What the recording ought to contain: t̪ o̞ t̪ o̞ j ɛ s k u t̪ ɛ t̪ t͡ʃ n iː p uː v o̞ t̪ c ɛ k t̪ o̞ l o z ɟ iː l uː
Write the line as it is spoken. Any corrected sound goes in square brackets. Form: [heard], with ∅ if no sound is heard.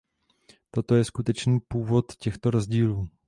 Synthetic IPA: t̪ o̞ t̪ o̞ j ɛ s k u t̪ ɛ [∅] t͡ʃ n iː p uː v o̞ t̪ c ɛ [x] t̪ o̞ [ɾ] o z ɟ iː l uː